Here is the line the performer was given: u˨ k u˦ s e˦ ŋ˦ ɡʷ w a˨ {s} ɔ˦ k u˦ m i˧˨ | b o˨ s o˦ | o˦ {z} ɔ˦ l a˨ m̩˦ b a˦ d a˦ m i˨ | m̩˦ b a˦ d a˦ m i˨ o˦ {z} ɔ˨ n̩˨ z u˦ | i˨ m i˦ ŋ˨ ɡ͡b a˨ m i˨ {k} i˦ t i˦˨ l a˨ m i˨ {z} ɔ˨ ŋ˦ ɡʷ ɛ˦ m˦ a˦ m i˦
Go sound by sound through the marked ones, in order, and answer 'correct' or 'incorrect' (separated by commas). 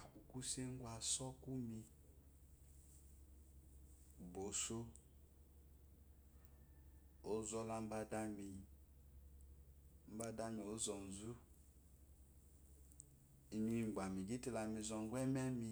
correct, correct, correct, incorrect, correct